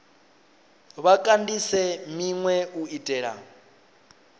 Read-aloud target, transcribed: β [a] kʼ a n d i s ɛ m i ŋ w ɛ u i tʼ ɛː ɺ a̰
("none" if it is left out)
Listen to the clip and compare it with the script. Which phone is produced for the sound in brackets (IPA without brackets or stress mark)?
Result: a